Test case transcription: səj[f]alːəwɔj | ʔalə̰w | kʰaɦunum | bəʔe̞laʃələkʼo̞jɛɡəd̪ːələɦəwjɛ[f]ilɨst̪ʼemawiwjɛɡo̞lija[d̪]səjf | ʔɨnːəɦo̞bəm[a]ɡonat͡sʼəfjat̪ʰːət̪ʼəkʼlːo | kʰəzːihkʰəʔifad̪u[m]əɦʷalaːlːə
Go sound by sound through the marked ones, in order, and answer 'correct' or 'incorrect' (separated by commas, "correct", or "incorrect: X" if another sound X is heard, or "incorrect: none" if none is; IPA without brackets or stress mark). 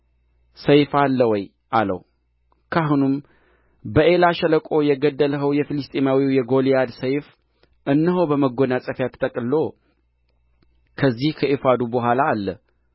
correct, correct, correct, incorrect: ə, incorrect: b